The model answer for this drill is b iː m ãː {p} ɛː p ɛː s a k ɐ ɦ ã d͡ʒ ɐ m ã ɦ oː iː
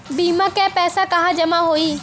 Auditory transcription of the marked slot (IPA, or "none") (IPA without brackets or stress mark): k